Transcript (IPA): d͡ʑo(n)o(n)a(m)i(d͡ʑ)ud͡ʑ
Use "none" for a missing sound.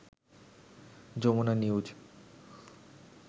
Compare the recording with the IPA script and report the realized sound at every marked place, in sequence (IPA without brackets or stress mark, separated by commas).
m, n, n, none